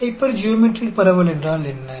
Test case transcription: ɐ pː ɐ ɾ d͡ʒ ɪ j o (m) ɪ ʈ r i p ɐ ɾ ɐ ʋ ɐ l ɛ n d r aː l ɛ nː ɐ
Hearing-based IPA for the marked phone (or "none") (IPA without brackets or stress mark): m